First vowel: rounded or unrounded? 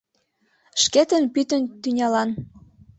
unrounded